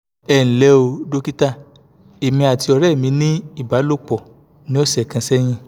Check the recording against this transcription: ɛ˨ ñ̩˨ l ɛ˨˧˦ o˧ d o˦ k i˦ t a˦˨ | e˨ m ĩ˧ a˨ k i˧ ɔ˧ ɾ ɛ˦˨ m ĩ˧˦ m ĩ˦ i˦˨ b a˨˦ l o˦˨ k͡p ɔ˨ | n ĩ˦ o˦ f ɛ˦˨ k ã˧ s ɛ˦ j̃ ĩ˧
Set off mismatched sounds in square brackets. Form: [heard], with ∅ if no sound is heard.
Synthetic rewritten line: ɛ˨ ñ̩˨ l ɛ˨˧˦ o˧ d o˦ k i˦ t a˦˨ | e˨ m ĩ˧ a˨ [t] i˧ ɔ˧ ɾ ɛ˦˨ m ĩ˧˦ [n] ĩ˦ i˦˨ b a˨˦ l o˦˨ k͡p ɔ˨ | n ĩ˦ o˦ [s] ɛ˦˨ k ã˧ s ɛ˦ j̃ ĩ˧

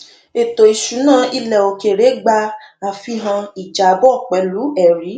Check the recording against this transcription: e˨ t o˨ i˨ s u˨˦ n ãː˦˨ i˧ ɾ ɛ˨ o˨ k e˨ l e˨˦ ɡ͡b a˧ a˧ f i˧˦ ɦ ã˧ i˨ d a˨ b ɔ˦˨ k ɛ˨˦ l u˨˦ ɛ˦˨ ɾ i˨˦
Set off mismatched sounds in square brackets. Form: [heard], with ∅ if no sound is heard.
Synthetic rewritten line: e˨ t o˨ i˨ [ʃ] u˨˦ n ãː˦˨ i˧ [l] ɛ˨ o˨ k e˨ [ɾ] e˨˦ ɡ͡b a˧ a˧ f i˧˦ ɦ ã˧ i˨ [d͡ʒ] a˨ b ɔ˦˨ [k͡p] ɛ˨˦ l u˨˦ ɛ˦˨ ɾ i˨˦

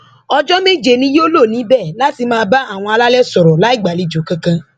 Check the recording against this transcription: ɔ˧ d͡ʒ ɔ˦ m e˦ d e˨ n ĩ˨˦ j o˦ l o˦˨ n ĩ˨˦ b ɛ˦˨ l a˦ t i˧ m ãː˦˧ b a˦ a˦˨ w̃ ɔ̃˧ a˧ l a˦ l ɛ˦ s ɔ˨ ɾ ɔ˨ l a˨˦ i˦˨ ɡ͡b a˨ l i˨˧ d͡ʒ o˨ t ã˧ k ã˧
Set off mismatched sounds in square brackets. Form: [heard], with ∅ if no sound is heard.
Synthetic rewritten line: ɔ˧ d͡ʒ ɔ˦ m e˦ [d͡ʒ] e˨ n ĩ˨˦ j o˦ l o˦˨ n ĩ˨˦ b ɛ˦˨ l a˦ t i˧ m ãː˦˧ b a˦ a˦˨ w̃ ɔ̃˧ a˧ l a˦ l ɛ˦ s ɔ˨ ɾ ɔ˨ l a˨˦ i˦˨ ɡ͡b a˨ l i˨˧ d͡ʒ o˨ [k] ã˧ k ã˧

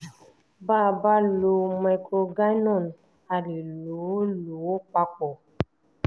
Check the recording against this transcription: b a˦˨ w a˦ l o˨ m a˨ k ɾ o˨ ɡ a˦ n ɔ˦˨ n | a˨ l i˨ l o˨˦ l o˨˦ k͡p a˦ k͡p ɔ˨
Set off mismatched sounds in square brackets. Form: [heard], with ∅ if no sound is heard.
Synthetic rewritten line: b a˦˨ [b] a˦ l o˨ m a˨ k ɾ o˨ ɡ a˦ n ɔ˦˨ n | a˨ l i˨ l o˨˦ l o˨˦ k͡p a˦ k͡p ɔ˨

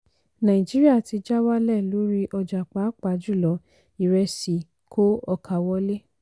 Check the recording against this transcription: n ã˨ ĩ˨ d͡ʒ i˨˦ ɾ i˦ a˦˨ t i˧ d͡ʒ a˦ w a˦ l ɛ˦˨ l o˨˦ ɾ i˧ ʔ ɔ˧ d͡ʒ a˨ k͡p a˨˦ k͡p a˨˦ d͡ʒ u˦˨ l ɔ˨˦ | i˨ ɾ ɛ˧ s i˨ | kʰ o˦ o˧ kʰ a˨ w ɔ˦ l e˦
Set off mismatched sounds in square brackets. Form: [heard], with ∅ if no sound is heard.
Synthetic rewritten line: n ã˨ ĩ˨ d͡ʒ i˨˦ ɾ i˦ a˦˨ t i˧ d͡ʒ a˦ w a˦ l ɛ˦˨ l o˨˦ ɾ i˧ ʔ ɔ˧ d͡ʒ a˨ k͡p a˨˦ k͡p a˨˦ d͡ʒ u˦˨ l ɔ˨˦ | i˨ ɾ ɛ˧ s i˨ | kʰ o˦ [ɔ˧] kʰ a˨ w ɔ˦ l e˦

